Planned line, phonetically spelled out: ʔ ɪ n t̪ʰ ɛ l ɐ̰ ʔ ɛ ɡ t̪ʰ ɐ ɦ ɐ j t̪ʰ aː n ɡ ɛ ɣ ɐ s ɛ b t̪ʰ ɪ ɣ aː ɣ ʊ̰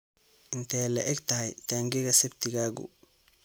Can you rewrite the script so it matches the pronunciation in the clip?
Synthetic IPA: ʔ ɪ n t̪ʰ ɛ l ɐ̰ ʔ ɛ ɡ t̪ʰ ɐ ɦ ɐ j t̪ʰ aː ŋ ɡ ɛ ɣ ɐ s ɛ b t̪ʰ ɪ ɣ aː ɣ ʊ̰